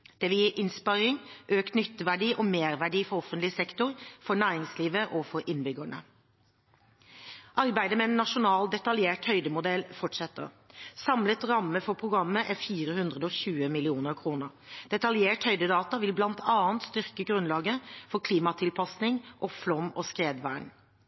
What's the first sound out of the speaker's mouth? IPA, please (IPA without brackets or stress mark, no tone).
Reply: d̪̥